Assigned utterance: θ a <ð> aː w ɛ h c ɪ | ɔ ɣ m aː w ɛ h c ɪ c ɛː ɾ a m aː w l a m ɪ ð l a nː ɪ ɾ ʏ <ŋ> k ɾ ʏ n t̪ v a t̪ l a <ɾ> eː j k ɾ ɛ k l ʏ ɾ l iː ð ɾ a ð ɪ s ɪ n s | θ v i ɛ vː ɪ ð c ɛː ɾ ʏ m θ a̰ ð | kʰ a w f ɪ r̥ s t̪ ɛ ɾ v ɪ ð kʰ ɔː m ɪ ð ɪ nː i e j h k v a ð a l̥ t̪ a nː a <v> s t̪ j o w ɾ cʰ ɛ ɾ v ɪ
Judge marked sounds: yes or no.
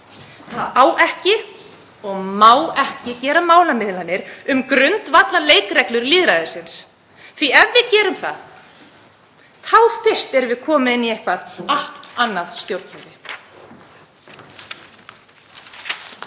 yes, no, no, no

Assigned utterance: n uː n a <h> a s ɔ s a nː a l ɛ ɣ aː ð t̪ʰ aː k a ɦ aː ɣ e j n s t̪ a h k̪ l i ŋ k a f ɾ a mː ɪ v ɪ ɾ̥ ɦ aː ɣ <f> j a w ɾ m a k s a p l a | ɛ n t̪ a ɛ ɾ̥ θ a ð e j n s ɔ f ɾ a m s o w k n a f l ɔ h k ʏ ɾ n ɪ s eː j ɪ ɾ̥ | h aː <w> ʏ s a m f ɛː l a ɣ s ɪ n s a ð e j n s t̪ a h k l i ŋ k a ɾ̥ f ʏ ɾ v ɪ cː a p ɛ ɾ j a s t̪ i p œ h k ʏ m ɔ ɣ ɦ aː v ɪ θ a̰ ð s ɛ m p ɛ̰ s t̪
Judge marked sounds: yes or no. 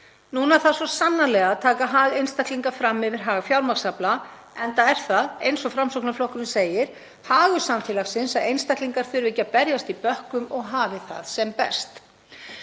no, yes, no

